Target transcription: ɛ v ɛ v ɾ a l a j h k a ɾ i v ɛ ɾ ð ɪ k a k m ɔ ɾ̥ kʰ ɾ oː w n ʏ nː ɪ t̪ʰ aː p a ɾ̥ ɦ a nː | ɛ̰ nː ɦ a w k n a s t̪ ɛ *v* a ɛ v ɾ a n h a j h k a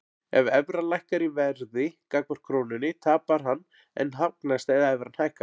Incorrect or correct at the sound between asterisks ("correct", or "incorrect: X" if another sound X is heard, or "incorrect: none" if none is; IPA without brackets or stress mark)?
incorrect: ð